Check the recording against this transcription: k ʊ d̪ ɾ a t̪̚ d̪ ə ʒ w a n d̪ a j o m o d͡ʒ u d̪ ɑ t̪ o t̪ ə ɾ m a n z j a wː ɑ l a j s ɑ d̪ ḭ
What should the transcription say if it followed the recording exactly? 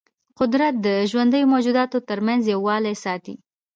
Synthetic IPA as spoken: q ʊ d̪ ɾ a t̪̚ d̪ ə ʒ w a n d̪ ə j o m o d͡ʒ u d̪ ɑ t̪ o t̪ ə ɾ m a n z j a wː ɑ l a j s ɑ t̪ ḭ